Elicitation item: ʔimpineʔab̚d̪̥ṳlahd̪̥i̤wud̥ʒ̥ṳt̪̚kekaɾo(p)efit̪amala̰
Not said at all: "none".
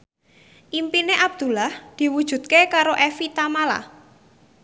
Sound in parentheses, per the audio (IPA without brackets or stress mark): ʔ